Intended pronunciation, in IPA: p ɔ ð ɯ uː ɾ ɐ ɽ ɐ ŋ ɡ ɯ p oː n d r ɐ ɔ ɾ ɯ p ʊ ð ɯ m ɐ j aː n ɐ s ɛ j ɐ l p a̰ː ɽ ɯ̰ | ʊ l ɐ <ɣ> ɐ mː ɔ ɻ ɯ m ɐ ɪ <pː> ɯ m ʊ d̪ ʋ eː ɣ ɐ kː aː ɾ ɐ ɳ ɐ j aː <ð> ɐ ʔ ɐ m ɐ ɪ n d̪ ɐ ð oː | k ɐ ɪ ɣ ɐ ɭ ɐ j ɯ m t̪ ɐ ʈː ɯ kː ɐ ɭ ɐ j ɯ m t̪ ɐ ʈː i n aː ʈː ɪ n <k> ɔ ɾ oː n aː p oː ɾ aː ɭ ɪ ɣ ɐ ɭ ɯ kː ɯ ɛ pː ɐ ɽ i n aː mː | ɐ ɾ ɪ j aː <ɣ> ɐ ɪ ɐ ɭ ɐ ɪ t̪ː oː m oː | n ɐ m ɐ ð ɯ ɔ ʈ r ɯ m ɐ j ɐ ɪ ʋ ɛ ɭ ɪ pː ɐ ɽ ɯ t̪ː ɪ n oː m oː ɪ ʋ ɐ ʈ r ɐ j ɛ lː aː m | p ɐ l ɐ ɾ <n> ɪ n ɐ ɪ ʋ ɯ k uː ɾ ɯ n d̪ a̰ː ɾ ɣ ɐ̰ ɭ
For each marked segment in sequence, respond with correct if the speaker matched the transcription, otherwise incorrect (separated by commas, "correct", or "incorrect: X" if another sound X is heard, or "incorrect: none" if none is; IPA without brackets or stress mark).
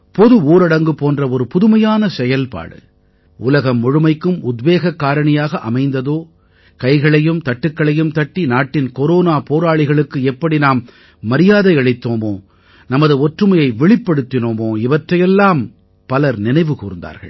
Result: correct, incorrect: kː, incorrect: ɣ, correct, incorrect: ð, correct